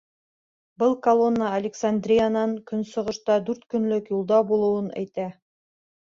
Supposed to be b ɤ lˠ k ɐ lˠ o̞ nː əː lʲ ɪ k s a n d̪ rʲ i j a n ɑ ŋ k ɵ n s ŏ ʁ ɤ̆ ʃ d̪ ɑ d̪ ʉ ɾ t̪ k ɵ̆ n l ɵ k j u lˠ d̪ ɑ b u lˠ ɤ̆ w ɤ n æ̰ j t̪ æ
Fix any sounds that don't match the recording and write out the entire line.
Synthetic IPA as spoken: b ɤ lˠ k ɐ lˠ o̞ nː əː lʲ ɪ k s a n d̪ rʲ i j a n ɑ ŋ k ɵ n s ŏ ʁ ɤ̆ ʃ t̪ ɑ d̪ ʉ ɾ t̪ k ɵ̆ n l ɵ k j u lˠ d̪ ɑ b u lˠ ɤ̆ w ɤ n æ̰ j t̪ æ

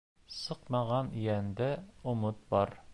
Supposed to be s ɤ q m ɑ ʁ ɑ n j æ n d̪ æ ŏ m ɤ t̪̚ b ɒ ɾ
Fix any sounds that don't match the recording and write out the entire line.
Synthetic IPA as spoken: s ɤ q m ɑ ʁ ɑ n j æ n d̪ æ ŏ m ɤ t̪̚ b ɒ ɾ

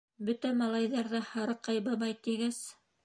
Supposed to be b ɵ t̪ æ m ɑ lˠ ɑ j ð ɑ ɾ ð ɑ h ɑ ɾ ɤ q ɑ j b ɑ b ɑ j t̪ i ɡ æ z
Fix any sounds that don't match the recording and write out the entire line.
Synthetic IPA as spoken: b ɵ t̪ æ m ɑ lˠ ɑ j ð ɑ ɾ ð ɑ h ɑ ɾ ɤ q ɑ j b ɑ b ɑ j t̪ i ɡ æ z

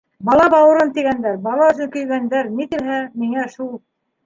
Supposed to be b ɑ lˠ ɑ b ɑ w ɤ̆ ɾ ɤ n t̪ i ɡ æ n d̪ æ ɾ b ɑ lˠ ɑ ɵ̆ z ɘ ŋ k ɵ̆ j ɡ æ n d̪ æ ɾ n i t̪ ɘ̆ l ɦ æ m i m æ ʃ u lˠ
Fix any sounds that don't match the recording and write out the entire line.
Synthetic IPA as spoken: b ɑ lˠ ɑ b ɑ w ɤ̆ ɾ ɤ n t̪ i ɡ æ n d̪ æ ɾ b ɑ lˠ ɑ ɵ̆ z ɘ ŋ k ɵ̆ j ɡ æ n d̪ æ ɾ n i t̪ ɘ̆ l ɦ æ m i ŋ æ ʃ u lˠ

